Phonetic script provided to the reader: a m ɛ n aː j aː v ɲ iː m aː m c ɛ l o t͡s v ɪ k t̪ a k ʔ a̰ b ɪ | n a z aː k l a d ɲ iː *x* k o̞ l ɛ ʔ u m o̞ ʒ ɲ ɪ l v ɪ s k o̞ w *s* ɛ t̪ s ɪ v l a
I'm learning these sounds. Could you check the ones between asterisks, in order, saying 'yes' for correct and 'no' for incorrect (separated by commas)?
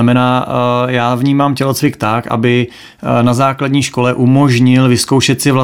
no, no